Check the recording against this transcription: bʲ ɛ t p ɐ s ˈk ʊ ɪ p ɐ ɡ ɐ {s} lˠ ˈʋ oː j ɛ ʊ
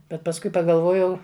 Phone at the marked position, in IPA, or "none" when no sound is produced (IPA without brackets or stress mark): none